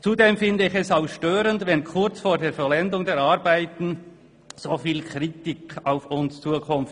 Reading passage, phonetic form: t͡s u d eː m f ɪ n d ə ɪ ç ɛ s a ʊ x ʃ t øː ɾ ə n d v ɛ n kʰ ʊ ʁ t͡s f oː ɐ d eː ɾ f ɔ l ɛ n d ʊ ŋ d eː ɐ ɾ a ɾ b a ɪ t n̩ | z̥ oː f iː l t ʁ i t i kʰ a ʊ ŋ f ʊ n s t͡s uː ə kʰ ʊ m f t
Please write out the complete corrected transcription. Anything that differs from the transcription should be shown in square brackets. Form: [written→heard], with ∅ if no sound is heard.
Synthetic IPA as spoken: t͡s u d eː m f ɪ n d ə ɪ ç ɛ s a ʊ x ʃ t øː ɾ ə n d v ɛ n kʰ ʊ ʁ t͡s f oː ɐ d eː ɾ f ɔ l ɛ n d ʊ ŋ d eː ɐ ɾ a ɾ b a ɪ t n̩ | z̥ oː f iː l [t→k] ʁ i t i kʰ a ʊ [ŋ→∅] f ʊ n s t͡s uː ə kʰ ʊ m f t